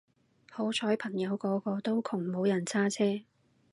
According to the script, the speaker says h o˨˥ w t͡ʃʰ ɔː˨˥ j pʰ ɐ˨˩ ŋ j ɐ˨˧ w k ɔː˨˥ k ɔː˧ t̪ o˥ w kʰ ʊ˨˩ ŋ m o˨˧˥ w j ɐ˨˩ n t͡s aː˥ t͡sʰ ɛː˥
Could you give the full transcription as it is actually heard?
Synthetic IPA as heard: h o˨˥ w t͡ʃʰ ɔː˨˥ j pʰ ɐ˨˩ ŋ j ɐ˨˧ w k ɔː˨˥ k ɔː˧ t̪ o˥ w kʰ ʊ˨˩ ŋ m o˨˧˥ w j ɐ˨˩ n t͡sʰ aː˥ t͡sʰ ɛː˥